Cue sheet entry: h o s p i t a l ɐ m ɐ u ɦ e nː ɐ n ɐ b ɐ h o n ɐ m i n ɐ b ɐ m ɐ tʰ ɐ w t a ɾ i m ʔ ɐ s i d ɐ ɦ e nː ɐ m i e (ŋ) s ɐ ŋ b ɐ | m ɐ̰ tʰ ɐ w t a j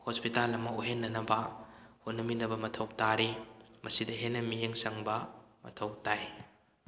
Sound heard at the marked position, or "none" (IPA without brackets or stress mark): ŋ